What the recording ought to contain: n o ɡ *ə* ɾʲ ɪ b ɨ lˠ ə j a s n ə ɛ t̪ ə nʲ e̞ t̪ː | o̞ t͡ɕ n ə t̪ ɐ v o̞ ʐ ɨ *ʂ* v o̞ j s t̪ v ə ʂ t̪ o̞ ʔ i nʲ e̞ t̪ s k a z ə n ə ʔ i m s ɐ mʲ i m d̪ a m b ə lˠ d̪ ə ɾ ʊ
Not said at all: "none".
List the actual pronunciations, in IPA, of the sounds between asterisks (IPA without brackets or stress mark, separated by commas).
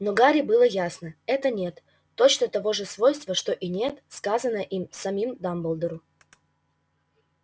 a, s